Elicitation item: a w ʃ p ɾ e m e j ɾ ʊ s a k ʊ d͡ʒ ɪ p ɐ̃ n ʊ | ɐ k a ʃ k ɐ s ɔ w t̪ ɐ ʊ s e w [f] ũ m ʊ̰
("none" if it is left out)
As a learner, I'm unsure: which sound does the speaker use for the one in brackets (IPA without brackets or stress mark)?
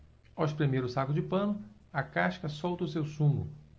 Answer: s